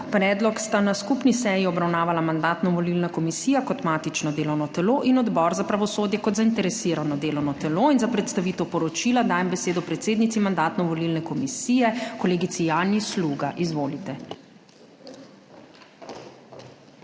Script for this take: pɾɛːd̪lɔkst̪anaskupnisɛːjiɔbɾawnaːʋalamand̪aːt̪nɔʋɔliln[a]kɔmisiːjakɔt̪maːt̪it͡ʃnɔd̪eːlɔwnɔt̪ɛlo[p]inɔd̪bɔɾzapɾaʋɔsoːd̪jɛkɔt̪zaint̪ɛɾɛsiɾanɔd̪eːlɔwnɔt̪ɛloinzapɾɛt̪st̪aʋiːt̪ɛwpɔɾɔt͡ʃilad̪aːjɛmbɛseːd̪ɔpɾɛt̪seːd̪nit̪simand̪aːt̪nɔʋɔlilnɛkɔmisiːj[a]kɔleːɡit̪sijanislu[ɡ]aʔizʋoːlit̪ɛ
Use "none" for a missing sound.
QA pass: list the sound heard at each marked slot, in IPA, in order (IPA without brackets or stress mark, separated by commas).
a, ʔ, ɛ, ɡ